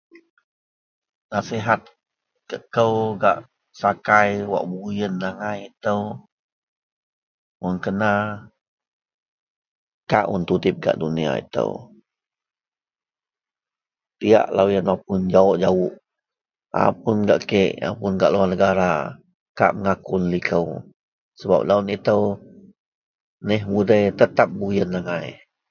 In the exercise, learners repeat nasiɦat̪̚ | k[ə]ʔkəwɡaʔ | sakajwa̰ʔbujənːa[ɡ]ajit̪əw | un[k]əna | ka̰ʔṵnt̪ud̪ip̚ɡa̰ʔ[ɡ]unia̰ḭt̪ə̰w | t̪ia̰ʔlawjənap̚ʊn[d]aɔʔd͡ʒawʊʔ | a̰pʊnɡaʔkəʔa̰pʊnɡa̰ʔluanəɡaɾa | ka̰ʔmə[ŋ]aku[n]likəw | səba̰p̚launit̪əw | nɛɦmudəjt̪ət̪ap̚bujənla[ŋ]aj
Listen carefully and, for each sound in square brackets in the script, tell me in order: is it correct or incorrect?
correct, incorrect, correct, incorrect, incorrect, correct, correct, correct

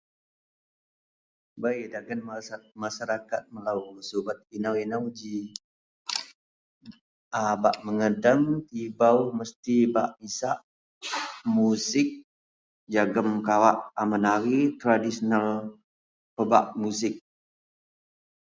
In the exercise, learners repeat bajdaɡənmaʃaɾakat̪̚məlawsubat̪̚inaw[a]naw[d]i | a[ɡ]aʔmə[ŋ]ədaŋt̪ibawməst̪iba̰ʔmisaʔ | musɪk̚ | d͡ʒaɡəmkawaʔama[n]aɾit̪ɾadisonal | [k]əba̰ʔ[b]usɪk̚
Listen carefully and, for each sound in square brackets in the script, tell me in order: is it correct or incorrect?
incorrect, incorrect, incorrect, correct, correct, incorrect, incorrect

